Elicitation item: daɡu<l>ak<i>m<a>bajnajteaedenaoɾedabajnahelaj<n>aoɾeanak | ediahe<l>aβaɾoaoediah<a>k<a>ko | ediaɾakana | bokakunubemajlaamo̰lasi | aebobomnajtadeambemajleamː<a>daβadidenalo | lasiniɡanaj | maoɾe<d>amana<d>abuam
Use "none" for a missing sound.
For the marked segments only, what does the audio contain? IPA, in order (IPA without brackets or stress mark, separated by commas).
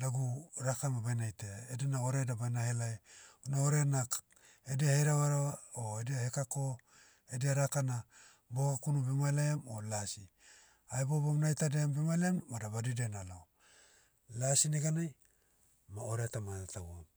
ɾ, a, a, n, ɾ, e, a, a, t, t